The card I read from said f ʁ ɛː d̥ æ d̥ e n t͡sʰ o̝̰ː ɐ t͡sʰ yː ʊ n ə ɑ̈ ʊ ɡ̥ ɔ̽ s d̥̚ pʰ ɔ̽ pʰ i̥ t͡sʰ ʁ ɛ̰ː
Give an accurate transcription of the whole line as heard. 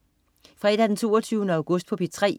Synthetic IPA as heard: f ʁ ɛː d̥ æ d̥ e n t͡sʰ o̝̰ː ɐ t͡sʰ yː ʊ n ə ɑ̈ ʊ ɡ̥ ɔ̽ s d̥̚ pʰ ɒ̽ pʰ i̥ t͡sʰ ʁ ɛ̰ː

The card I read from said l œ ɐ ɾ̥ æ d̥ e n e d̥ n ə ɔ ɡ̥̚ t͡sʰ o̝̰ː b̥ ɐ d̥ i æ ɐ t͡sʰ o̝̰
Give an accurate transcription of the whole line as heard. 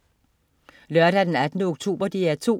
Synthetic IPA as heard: l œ ɐ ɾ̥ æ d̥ e n æ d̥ n ə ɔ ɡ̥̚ t͡sʰ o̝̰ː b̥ ɐ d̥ i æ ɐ t͡sʰ o̝̰

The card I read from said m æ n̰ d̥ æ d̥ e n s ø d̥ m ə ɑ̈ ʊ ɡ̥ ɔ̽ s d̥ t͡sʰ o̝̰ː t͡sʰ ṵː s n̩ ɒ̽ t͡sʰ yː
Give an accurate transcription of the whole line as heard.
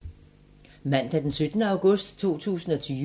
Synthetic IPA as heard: m æ n̰ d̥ æ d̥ e n s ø d̥ n ə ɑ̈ ʊ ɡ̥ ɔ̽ s d̥ t͡sʰ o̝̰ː t͡sʰ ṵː s n̩ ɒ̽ t͡sʰ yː

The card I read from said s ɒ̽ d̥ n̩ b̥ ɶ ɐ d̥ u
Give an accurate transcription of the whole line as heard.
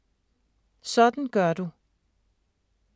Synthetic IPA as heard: s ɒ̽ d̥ n̩ ɡ̥ ɶ ɐ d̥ u

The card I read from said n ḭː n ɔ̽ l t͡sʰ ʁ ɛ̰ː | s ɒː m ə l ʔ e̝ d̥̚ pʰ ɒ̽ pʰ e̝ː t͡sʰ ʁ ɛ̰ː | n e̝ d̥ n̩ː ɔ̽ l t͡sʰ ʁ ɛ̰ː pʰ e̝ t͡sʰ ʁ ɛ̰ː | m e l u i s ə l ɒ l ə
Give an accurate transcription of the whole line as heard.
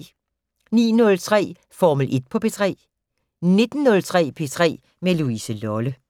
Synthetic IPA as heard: n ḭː n ɔ̽ l t͡sʰ ʁ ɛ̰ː | f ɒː m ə l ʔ e̝ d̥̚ pʰ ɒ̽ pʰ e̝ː t͡sʰ ʁ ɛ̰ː | n e̝ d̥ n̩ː ɔ̽ l t͡sʰ ʁ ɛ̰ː pʰ e̝ t͡sʰ ʁ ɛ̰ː | m e l u i s ə l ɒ l ə

